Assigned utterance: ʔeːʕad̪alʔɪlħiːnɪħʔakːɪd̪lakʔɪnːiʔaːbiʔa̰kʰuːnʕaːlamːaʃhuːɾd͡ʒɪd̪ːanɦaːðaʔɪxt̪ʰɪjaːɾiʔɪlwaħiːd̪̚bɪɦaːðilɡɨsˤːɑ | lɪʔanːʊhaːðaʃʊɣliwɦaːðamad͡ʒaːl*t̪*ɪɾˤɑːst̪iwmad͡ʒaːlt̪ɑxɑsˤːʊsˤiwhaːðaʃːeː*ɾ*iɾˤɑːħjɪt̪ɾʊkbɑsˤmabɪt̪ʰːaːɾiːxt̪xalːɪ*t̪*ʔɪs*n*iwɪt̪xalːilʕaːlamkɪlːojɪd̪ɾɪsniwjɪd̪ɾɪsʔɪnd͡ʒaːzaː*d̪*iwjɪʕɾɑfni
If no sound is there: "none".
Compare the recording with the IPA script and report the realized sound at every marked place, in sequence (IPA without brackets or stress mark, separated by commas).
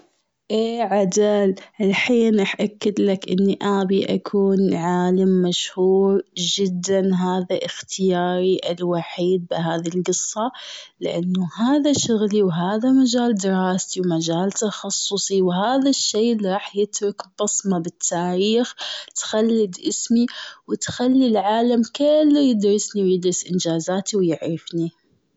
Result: d̪, l, d̪, m, t̪